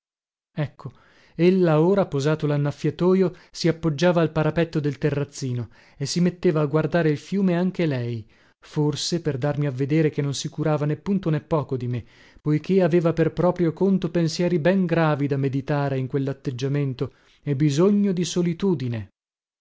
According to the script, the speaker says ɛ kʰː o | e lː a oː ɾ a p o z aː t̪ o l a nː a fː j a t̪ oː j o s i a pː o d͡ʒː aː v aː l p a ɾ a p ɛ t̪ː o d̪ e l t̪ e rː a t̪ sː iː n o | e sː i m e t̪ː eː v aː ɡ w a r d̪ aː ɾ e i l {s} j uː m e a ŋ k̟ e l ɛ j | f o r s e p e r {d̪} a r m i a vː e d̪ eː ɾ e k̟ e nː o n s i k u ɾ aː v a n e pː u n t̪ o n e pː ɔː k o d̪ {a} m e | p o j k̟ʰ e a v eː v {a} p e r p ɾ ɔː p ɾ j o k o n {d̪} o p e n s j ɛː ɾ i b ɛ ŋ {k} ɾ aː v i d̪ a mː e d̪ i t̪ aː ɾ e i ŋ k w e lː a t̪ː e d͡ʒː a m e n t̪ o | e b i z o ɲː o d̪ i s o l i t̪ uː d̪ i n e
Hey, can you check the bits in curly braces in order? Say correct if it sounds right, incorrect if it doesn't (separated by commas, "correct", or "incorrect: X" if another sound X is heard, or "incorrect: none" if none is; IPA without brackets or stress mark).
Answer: incorrect: f, correct, incorrect: i, correct, incorrect: t̪, incorrect: ɡ